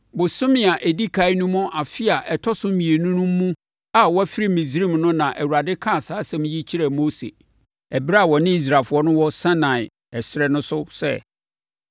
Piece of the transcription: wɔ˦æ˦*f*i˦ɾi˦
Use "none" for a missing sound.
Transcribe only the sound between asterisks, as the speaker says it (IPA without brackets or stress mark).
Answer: f